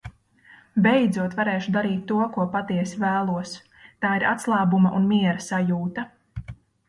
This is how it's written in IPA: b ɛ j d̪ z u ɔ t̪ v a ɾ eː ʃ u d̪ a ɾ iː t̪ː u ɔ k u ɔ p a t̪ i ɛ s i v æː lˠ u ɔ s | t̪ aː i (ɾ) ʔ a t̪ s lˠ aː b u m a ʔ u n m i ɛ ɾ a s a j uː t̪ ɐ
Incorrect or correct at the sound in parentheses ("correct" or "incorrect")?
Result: correct